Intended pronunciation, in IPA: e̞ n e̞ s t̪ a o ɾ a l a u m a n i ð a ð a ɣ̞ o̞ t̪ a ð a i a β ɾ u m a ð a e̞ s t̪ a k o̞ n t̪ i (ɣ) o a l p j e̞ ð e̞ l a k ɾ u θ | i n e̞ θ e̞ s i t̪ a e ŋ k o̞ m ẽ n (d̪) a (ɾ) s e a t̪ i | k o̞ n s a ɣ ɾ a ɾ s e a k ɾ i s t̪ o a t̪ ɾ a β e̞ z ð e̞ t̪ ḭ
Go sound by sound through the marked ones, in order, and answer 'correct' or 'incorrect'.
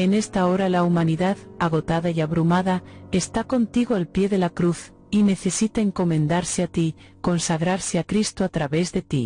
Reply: correct, correct, correct

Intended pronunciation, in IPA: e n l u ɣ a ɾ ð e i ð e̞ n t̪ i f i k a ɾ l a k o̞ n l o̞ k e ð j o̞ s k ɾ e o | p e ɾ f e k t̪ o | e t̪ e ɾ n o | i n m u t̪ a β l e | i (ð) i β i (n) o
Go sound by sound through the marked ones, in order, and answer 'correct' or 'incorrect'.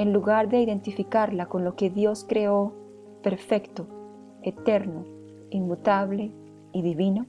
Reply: correct, correct

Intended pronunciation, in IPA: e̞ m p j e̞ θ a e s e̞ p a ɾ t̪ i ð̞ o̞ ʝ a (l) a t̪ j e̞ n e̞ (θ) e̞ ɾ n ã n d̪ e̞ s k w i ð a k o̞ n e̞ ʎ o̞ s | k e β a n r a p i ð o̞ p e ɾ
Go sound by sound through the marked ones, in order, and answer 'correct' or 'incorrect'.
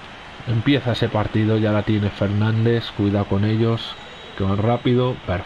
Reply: correct, incorrect: f

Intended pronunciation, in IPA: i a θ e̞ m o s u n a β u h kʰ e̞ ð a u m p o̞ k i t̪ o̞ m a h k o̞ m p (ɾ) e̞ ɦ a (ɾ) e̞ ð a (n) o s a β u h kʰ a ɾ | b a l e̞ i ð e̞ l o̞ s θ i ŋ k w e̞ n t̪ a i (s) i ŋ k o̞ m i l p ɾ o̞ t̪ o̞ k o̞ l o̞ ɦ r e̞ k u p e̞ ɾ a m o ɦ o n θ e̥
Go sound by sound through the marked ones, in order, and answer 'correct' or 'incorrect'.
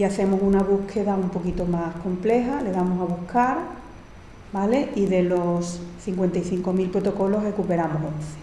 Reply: incorrect: l, incorrect: l, incorrect: m, incorrect: θ

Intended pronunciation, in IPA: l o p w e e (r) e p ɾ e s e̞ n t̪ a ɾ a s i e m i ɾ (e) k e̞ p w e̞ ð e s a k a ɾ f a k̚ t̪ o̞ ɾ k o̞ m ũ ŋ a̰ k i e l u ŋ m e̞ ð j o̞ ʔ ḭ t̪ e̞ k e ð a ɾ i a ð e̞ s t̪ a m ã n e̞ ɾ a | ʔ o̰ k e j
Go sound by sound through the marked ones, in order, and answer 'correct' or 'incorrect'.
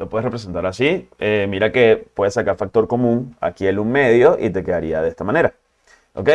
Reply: correct, incorrect: a

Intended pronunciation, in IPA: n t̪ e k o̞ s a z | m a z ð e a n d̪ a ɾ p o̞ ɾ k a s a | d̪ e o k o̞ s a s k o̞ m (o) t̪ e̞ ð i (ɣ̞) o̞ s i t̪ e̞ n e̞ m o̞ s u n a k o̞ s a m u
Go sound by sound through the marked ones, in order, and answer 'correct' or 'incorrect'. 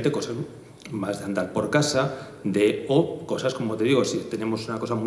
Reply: correct, correct

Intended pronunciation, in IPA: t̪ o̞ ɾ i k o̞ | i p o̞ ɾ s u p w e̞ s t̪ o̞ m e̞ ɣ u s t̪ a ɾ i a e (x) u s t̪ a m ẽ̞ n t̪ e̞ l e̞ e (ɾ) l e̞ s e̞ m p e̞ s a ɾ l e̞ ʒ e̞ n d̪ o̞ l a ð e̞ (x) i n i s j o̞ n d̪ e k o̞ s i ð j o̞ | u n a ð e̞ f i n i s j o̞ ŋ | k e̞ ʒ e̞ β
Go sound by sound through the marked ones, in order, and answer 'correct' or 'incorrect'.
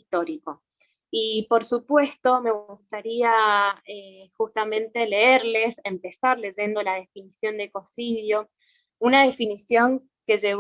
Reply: correct, correct, incorrect: f

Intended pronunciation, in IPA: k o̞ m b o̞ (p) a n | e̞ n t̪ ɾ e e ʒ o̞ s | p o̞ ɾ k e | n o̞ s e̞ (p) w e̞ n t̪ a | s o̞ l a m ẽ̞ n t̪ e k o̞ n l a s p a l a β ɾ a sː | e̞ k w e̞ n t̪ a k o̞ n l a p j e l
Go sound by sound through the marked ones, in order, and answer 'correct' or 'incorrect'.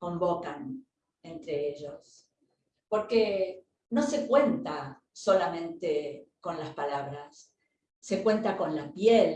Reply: incorrect: k, incorrect: k

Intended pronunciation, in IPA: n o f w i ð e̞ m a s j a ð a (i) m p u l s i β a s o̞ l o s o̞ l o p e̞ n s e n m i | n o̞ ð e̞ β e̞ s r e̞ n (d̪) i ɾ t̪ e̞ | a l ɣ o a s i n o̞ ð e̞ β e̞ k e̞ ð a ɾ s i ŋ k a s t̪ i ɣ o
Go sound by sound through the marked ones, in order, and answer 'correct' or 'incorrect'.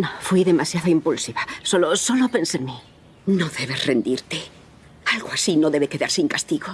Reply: correct, correct

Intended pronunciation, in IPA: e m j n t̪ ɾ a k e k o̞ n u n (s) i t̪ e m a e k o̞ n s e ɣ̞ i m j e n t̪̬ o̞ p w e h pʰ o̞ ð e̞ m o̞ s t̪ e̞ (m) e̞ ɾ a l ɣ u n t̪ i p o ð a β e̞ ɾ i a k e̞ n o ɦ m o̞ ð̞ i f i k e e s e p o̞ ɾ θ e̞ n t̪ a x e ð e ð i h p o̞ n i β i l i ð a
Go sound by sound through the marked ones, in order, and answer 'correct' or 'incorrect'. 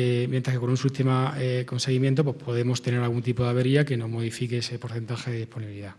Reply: correct, incorrect: n

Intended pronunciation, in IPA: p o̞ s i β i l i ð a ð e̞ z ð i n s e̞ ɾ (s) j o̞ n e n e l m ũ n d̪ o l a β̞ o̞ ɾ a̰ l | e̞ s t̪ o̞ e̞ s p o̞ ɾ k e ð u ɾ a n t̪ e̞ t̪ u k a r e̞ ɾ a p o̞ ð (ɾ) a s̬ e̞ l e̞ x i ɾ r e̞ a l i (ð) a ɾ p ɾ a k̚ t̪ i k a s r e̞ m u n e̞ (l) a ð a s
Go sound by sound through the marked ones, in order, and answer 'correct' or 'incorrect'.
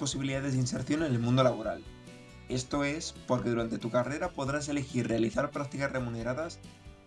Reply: incorrect: θ, correct, incorrect: θ, incorrect: ɾ

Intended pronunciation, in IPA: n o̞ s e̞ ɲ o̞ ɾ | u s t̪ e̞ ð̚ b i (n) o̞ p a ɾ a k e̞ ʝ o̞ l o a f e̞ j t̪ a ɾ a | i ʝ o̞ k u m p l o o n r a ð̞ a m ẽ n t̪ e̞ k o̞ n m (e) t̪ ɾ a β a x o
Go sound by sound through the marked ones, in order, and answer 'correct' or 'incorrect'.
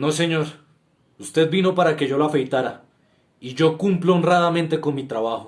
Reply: correct, incorrect: i

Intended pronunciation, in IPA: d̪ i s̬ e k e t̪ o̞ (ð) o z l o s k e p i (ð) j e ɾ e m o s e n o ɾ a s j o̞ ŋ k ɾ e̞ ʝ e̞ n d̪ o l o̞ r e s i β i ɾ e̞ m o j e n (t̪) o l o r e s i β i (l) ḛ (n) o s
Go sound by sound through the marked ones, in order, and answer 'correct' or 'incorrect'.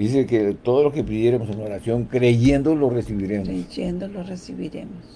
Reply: correct, correct, incorrect: d̪, incorrect: ɾ, incorrect: m

